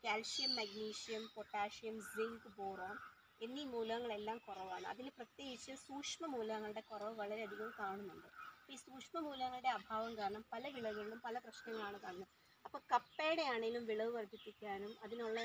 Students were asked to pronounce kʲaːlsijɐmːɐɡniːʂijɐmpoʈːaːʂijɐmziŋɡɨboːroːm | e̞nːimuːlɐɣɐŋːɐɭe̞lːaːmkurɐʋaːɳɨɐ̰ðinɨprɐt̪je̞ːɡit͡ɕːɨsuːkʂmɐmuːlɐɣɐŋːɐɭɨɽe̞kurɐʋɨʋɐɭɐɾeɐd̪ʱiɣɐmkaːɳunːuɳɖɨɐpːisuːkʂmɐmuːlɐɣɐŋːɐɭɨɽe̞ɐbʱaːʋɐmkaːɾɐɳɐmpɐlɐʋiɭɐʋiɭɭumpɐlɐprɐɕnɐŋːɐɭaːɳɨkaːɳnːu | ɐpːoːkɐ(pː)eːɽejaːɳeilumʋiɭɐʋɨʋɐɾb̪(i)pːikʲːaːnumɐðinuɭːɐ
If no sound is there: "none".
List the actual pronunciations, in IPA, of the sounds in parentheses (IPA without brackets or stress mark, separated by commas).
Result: pː, i